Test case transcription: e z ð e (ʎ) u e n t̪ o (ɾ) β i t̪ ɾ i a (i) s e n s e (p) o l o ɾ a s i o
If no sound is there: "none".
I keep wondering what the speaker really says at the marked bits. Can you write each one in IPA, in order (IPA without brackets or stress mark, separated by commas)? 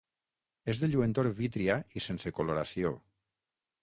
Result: ʎ, ɾ, i, k